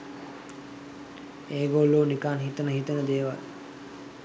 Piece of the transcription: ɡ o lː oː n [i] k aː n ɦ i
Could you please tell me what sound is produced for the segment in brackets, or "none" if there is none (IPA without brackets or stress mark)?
i